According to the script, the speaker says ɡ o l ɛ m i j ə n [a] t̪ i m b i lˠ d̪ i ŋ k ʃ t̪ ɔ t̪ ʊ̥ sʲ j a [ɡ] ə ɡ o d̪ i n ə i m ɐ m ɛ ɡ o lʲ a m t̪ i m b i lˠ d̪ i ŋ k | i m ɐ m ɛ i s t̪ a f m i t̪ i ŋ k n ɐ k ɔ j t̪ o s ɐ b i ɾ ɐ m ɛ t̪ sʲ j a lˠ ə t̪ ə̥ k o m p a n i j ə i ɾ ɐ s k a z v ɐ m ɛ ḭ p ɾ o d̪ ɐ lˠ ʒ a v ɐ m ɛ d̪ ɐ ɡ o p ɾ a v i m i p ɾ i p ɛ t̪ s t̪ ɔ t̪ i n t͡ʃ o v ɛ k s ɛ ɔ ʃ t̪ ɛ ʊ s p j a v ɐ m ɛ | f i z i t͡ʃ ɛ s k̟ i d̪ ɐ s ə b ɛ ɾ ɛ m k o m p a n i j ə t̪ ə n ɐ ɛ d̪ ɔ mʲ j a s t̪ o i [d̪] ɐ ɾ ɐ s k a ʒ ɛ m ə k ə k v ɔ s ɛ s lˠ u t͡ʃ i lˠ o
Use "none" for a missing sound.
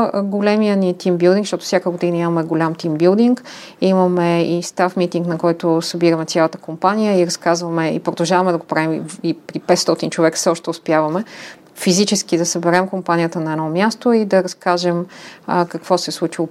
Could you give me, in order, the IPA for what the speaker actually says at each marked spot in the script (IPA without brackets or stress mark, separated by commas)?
i, k, d̪